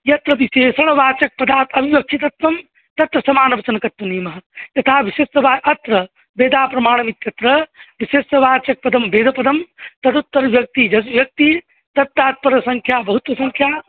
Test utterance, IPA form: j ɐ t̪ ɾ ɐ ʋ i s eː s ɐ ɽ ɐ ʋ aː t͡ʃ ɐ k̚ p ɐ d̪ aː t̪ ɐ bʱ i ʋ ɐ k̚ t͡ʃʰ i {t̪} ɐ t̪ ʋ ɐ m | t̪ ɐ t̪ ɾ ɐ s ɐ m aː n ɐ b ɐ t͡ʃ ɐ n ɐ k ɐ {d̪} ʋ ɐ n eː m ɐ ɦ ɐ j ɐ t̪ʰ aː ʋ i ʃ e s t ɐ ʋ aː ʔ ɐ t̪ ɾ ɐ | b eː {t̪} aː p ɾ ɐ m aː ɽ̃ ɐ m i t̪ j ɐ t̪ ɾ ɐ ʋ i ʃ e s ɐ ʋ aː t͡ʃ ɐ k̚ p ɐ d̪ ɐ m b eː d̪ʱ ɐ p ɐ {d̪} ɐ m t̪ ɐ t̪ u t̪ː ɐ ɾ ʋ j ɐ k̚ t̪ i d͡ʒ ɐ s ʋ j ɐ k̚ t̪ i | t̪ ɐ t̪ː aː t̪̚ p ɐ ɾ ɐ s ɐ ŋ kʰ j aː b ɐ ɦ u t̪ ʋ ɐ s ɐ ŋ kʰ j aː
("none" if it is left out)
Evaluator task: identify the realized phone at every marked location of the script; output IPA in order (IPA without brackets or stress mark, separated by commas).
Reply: t̪, t̪, d̪, d̪